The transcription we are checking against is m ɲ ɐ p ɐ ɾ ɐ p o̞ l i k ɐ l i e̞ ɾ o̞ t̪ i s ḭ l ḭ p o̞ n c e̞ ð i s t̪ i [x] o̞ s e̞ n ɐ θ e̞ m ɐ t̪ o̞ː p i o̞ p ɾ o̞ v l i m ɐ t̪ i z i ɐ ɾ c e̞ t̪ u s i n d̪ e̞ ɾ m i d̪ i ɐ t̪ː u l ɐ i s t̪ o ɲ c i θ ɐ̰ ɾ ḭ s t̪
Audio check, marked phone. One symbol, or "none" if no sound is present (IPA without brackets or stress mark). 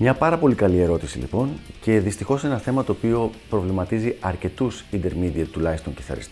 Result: x